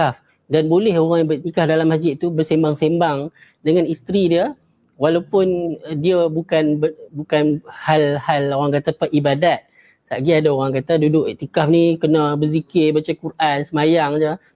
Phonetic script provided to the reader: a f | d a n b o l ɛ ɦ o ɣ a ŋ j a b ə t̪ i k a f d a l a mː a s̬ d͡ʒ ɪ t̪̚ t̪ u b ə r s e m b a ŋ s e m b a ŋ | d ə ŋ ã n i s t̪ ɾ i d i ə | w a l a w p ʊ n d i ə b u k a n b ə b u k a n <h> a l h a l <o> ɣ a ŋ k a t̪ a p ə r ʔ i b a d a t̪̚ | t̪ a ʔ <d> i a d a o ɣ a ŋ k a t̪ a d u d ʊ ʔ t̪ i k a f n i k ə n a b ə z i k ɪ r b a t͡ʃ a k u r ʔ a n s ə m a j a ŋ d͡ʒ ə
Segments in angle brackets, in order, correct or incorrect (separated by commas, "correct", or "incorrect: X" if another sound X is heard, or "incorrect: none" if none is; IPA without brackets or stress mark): correct, correct, incorrect: ɡ